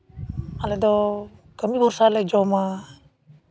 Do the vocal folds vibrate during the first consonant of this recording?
yes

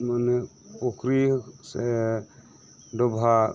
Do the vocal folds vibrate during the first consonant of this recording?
yes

